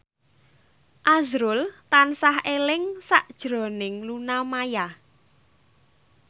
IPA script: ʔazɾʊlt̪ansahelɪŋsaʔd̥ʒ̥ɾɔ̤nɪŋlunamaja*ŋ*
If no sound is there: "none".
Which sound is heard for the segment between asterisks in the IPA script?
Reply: none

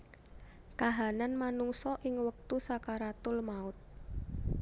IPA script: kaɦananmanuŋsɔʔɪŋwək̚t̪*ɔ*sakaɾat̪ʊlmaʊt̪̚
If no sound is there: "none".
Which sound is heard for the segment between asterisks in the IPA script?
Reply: u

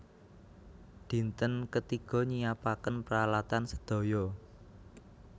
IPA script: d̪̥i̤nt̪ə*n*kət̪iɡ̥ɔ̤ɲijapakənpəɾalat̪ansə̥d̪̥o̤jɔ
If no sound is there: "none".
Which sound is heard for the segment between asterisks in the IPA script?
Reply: n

